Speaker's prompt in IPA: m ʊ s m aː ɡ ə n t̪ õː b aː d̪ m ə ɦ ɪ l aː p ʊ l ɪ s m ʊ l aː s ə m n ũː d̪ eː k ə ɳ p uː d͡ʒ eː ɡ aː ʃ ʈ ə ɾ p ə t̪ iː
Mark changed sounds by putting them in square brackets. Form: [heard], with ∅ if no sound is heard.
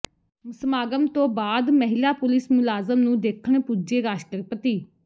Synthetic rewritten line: m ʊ s m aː ɡ ə [m] t̪ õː b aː d̪ m ə ɦ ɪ l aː p ʊ l ɪ s m ʊ l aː [z] ə m n ũː d̪ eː [kʰ] ə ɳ p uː d͡ʒ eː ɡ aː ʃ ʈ ə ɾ p ə t̪ iː